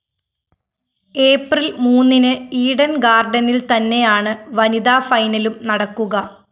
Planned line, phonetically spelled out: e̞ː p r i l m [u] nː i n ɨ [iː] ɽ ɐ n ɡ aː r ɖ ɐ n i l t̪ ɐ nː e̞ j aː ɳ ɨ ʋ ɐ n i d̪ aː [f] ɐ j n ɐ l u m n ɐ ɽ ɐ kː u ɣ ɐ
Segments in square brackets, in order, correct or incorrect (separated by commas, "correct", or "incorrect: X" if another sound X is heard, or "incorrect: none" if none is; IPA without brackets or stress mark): incorrect: uː, correct, correct